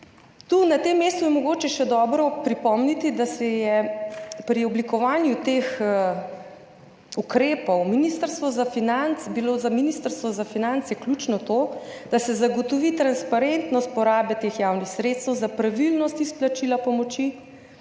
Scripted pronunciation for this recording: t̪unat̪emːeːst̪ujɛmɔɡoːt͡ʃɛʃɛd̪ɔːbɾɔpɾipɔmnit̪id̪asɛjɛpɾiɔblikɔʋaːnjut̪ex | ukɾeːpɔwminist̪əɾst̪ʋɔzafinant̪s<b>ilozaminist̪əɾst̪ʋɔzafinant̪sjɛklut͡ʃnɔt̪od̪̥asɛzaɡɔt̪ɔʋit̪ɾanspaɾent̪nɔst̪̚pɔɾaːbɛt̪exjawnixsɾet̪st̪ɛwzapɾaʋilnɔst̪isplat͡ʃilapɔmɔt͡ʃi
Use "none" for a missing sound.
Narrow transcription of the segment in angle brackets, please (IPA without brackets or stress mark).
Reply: b